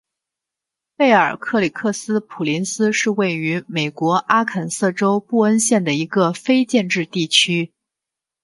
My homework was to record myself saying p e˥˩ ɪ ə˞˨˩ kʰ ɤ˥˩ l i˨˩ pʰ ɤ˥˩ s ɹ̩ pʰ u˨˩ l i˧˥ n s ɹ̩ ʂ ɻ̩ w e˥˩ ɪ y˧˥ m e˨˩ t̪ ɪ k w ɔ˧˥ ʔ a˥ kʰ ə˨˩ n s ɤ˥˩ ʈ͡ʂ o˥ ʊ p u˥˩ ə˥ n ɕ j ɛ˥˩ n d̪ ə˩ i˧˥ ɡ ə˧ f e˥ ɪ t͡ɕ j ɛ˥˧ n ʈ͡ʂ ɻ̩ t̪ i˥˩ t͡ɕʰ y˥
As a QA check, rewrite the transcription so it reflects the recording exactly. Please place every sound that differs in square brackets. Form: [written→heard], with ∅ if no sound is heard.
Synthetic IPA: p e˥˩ ɪ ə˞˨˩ kʰ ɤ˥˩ l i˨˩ [pʰ→kʰ] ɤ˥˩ s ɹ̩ pʰ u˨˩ l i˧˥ n s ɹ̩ ʂ ɻ̩ w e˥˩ ɪ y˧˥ m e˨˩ [t̪→∅] ɪ k w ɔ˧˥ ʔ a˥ kʰ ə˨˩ n s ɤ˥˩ ʈ͡ʂ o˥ ʊ p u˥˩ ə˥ n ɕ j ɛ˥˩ n d̪ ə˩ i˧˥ ɡ ə˧ f e˥ ɪ t͡ɕ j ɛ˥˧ n ʈ͡ʂ ɻ̩ t̪ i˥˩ t͡ɕʰ y˥